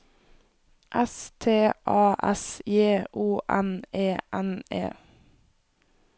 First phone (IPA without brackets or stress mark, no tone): ʔ